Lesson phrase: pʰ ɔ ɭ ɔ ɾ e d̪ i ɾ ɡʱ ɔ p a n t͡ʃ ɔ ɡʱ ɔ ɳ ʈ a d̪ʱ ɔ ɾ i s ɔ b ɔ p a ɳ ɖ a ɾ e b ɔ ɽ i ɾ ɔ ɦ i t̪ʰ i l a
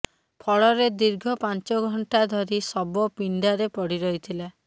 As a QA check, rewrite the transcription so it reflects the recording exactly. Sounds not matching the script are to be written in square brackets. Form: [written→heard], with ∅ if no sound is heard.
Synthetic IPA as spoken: pʰ ɔ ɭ ɔ ɾ e d̪ i ɾ ɡʱ ɔ p a n t͡ʃ ɔ ɡʱ ɔ ɳ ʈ a d̪ʱ ɔ ɾ i s ɔ b ɔ p [a→i] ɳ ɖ a ɾ e [b→p] ɔ ɽ i ɾ ɔ ɦ i t̪ʰ i l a